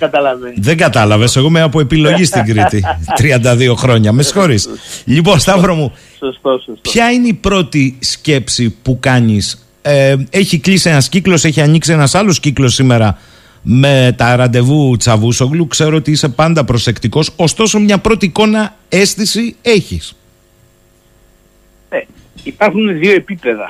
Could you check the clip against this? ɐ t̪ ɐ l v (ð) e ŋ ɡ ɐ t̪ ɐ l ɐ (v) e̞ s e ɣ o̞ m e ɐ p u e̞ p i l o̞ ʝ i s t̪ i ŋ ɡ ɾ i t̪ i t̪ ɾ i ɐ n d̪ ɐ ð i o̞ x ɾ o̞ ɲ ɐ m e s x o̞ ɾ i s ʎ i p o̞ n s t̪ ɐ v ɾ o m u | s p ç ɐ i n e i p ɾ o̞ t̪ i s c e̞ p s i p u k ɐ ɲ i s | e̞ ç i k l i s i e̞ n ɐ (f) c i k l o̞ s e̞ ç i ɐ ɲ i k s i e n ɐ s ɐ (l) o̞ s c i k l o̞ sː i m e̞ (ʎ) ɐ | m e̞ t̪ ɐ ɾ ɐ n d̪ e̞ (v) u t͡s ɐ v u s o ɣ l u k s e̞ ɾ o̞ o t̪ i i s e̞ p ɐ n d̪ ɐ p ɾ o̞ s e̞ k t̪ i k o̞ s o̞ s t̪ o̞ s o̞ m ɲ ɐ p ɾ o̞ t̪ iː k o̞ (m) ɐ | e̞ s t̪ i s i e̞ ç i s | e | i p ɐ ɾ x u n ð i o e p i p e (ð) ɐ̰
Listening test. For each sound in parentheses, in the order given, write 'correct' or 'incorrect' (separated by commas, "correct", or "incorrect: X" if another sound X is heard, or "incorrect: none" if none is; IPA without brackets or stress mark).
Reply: correct, correct, incorrect: s, correct, incorrect: ɾ, correct, incorrect: n, correct